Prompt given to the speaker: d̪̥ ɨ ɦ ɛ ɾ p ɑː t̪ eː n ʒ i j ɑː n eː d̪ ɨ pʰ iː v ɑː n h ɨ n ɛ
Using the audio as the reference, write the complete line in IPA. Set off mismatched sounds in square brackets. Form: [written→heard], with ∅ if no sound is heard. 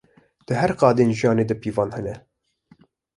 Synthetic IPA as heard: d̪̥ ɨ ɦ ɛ ɾ [p→q] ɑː [t̪→d̪] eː n ʒ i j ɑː n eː d̪ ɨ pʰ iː v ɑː n h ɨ n ɛ